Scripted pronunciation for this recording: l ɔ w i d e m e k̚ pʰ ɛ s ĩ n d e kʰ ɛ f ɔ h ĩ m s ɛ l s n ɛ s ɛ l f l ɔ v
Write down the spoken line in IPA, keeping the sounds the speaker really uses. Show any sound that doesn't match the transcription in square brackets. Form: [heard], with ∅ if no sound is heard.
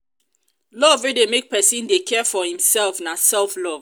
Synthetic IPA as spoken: l ɔ [v] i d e m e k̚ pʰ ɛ s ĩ n d e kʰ ɛ f ɔ h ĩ m s ɛ l [f] n [a] s ɛ l f l ɔ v